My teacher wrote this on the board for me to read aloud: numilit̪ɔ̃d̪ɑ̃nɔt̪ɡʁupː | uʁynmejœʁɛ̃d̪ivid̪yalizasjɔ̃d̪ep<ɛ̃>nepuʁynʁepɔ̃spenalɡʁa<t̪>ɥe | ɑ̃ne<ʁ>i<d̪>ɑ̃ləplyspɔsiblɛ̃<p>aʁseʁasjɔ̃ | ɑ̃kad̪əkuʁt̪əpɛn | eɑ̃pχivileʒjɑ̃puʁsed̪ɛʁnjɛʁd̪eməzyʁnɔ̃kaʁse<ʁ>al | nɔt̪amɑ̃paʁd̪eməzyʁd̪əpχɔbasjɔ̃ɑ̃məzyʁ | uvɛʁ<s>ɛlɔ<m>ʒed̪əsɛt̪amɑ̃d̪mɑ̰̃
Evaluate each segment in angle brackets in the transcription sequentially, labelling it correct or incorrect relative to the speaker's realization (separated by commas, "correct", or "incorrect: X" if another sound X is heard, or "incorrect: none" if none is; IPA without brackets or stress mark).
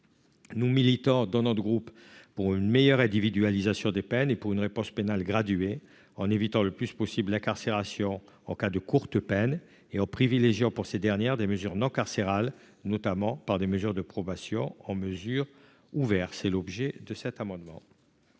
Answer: incorrect: ɛ, incorrect: d̪, incorrect: v, incorrect: t̪, incorrect: k, correct, correct, incorrect: b